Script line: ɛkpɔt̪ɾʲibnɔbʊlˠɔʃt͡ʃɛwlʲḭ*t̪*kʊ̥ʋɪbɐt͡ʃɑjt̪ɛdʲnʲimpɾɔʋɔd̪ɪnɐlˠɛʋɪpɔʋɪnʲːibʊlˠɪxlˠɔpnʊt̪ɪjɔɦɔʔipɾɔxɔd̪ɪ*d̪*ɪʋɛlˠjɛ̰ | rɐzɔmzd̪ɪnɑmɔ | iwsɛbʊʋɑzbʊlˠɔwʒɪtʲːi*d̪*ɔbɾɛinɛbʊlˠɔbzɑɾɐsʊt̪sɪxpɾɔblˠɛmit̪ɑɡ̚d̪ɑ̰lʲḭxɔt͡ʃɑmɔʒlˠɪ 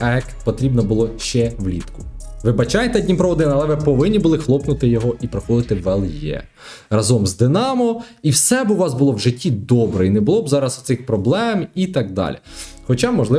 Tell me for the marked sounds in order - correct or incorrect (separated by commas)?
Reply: correct, incorrect, correct